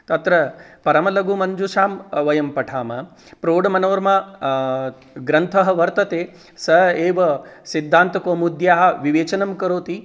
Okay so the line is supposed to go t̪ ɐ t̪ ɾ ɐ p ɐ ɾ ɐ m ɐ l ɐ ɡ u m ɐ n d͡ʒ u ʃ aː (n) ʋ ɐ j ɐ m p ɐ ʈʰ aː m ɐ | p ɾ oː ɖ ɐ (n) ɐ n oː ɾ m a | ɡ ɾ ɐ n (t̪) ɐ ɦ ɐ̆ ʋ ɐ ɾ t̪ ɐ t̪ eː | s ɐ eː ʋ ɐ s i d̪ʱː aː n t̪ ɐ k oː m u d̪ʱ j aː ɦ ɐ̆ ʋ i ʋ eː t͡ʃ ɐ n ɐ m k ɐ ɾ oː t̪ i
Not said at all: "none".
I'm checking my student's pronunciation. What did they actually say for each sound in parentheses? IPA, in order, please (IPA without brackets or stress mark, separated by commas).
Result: m, m, t̪ʰ